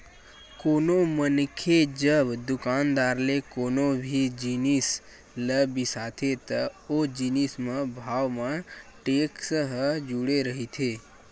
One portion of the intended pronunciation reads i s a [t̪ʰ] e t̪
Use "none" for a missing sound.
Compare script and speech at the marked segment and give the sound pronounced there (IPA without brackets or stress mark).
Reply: t̪ʰ